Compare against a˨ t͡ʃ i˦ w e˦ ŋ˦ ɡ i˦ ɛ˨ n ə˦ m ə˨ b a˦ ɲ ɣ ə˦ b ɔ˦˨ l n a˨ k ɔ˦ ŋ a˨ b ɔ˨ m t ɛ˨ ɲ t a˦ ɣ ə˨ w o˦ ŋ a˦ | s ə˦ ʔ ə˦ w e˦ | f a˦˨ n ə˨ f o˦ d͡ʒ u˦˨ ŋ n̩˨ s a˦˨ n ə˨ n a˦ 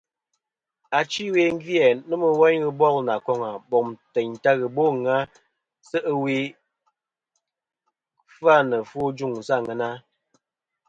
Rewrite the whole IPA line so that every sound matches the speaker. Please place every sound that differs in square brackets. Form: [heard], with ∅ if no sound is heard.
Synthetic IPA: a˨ t͡ʃ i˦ w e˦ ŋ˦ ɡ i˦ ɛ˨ n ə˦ m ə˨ [w] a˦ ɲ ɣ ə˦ b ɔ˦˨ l n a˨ k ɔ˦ ŋ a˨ b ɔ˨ m t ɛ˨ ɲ t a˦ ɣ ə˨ [b] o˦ ŋ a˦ | s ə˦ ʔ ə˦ w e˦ | f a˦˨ n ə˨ f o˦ d͡ʒ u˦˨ ŋ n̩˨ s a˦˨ [ŋ] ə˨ n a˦